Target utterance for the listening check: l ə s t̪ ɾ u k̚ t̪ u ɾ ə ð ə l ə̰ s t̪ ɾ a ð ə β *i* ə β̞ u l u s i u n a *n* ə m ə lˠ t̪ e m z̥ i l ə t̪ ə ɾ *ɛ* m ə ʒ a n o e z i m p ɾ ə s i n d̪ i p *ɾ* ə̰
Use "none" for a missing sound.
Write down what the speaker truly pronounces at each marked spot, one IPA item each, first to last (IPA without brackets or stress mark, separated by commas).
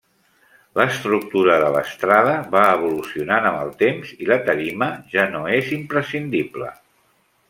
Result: a, n, i, l